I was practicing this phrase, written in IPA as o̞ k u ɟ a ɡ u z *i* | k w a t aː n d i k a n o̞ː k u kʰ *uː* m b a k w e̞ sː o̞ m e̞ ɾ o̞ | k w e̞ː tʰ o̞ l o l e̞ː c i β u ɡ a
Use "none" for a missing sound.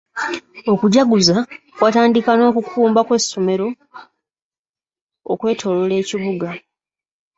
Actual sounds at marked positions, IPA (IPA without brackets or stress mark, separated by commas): a, uː